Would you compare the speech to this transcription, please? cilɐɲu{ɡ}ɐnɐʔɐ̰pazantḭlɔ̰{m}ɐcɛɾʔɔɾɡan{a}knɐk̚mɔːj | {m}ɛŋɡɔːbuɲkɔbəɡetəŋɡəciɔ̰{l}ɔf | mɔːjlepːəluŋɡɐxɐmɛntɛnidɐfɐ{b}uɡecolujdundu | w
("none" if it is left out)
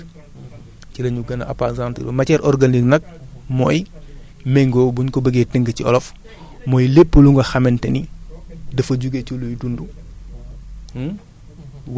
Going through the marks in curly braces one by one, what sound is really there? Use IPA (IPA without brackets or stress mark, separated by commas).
ɡ, m, i, m, l, ɟ